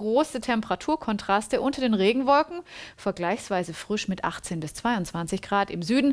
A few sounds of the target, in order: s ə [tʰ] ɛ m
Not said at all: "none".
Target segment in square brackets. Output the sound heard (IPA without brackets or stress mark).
tʰ